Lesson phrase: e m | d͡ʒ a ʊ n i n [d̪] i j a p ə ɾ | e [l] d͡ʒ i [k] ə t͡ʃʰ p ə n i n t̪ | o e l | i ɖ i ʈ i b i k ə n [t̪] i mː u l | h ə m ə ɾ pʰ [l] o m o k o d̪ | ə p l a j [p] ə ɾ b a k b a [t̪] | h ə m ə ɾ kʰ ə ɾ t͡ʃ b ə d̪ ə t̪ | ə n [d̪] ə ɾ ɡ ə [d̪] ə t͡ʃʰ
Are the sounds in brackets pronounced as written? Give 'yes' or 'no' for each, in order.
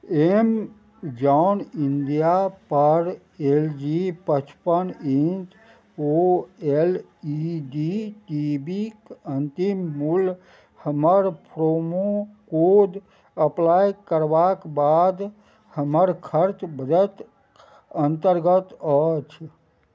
yes, yes, no, yes, no, no, no, no, no

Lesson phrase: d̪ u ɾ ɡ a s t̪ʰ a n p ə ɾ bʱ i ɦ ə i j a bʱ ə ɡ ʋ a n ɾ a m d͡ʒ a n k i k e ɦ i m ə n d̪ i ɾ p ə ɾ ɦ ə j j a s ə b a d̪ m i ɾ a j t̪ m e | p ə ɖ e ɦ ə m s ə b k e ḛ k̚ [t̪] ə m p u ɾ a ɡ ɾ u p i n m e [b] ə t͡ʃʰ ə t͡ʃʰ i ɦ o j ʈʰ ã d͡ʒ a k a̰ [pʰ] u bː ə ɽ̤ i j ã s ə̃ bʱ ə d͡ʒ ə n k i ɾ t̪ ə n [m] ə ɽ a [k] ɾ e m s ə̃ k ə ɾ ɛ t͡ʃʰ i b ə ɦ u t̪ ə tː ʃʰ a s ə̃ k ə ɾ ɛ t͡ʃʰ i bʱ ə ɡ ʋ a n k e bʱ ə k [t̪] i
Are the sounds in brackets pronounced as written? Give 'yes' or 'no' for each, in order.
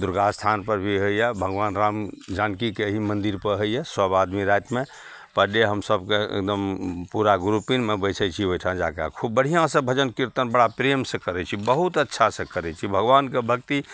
no, yes, no, no, no, yes

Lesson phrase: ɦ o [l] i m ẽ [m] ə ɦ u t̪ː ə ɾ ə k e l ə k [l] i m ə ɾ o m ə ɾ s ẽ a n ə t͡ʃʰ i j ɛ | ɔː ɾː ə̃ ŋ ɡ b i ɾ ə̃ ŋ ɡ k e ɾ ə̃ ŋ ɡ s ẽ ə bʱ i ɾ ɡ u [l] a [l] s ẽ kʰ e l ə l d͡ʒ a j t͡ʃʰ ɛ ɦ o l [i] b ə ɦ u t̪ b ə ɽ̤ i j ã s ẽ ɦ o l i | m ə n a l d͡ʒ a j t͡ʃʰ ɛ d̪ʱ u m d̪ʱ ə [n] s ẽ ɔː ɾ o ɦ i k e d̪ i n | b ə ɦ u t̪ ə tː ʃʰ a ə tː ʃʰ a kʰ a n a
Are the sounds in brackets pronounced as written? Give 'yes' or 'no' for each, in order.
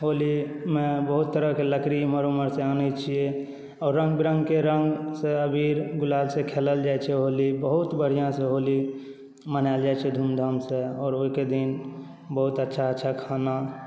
yes, no, no, yes, yes, yes, no

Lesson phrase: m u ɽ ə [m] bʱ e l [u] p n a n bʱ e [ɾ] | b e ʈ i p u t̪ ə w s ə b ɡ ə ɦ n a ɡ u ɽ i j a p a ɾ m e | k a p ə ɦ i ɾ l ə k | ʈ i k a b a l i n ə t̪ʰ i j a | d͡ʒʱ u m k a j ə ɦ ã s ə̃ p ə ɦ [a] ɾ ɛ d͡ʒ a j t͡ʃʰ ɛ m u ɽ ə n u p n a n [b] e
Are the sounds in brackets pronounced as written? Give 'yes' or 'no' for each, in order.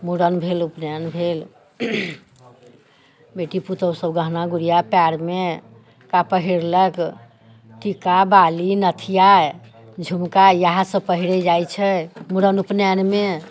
no, yes, no, no, no

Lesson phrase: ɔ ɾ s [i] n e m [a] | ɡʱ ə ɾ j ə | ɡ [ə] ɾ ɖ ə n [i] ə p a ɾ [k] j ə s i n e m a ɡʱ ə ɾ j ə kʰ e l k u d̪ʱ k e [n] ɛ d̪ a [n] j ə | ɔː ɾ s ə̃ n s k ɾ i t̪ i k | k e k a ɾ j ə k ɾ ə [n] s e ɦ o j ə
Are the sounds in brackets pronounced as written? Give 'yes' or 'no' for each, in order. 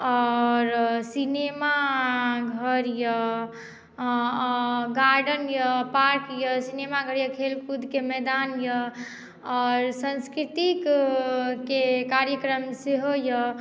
yes, yes, no, no, yes, no, yes, no

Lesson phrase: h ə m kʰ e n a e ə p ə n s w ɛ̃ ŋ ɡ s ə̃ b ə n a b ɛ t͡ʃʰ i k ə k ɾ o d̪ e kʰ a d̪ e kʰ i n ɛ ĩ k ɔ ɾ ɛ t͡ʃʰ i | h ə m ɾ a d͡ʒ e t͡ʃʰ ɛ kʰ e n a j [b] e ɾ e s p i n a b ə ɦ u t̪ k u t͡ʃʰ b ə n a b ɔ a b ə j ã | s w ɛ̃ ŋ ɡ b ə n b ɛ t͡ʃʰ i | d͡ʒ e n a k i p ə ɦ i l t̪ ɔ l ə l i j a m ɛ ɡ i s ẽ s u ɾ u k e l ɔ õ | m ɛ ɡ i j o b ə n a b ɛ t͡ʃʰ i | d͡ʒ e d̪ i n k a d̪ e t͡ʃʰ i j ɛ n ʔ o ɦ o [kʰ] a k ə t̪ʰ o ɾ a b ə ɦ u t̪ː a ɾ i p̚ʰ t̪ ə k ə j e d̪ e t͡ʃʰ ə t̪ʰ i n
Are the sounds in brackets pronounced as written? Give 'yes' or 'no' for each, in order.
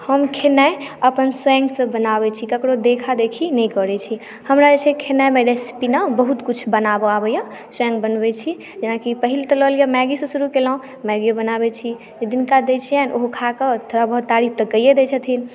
no, yes

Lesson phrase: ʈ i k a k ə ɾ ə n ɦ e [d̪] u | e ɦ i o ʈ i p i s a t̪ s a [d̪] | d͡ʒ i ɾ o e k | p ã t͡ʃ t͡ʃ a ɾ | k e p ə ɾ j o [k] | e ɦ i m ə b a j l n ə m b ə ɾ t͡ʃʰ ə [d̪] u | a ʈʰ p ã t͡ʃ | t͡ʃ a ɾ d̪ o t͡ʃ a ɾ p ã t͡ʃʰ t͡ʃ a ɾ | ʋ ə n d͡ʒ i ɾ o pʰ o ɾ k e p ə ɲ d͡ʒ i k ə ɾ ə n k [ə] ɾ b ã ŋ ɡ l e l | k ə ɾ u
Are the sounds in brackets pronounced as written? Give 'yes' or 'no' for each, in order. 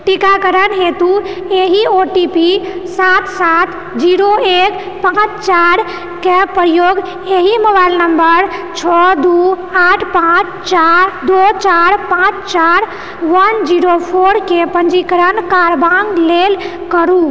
no, no, no, yes, no

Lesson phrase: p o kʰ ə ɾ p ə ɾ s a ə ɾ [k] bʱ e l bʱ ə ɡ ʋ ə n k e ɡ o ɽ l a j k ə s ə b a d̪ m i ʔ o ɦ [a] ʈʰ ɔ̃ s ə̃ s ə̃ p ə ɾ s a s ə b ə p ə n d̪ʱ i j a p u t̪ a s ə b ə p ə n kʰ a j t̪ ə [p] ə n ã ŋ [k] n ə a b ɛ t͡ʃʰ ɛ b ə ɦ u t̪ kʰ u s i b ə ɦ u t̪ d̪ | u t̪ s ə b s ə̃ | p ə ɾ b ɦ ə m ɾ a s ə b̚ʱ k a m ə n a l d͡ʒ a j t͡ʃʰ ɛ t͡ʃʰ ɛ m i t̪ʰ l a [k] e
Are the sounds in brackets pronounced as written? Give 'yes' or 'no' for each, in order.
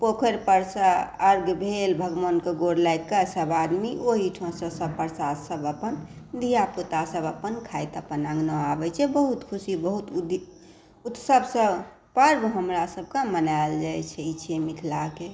no, no, yes, no, yes

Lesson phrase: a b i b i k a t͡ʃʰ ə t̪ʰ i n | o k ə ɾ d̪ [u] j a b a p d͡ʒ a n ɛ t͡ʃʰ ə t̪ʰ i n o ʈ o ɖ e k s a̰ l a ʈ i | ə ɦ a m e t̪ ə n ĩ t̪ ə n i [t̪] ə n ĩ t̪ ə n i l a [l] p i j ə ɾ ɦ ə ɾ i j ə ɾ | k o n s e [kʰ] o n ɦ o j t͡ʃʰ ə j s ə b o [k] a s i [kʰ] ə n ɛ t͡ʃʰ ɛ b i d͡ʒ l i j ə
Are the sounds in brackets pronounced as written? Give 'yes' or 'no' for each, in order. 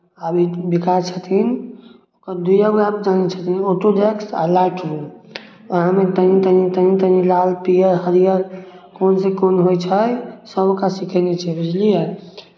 yes, yes, yes, no, yes, yes

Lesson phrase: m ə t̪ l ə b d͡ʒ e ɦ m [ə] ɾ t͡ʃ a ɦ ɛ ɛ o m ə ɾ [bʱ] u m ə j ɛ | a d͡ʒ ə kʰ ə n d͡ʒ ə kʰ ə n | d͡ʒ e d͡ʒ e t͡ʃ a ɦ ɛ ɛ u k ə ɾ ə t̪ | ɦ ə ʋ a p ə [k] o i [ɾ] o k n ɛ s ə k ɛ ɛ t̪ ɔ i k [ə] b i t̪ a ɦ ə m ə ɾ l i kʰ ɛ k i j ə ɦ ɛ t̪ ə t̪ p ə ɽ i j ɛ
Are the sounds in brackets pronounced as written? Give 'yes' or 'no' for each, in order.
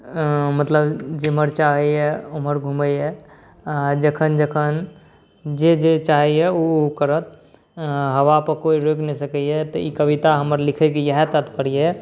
yes, no, yes, yes, yes

